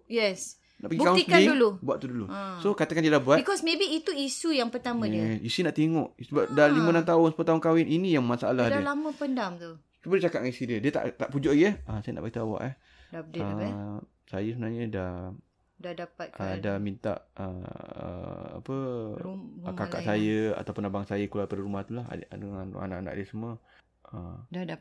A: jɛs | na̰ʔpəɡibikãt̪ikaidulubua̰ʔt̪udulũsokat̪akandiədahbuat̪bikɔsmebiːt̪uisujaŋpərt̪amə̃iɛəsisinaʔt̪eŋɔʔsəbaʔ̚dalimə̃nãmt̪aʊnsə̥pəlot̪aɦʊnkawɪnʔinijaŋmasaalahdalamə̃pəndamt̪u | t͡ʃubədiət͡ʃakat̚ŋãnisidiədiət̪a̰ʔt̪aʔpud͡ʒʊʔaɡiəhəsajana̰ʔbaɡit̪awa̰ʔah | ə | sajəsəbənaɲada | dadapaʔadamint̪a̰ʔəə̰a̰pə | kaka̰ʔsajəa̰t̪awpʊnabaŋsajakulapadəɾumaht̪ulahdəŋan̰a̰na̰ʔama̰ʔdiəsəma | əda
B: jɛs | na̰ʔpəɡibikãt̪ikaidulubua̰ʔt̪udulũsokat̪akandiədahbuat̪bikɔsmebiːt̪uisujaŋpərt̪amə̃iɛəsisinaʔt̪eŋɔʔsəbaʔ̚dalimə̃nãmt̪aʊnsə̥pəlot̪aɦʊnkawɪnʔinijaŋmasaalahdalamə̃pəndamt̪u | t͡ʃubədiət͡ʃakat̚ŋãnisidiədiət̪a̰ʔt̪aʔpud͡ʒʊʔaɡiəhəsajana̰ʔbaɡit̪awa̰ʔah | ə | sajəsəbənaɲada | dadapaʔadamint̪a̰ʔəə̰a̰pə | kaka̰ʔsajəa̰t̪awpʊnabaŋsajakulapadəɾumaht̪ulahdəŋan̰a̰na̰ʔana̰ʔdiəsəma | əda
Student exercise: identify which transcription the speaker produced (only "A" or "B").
B